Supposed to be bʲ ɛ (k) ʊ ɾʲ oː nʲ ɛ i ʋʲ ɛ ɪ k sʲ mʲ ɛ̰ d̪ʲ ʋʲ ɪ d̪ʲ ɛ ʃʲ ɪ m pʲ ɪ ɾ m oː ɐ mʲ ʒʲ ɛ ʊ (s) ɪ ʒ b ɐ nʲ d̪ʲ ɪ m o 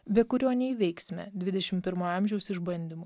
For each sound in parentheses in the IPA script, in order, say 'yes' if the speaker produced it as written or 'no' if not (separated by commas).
yes, yes